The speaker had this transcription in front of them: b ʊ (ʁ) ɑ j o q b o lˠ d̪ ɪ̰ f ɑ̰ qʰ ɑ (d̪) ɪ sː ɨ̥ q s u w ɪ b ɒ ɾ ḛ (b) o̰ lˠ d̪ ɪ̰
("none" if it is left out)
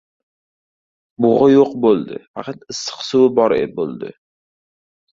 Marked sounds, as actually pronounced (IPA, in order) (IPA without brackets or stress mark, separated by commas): ʁ, t̪, b